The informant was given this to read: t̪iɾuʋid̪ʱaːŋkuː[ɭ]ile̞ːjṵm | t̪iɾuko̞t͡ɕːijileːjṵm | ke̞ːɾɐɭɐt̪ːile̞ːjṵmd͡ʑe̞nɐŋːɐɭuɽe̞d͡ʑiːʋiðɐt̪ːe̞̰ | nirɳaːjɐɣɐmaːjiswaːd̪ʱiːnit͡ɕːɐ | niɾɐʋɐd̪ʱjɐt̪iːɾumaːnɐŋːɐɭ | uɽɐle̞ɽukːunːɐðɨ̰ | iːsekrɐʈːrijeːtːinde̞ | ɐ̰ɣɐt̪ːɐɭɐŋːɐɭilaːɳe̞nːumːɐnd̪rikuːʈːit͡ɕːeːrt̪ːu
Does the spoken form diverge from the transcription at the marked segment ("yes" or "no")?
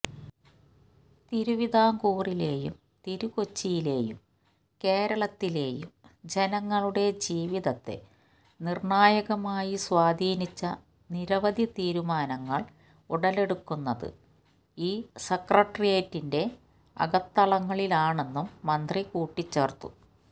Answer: yes